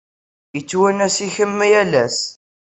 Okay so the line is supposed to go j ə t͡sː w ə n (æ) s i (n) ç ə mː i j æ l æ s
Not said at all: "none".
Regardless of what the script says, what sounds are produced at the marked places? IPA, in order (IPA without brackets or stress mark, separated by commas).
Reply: æ, none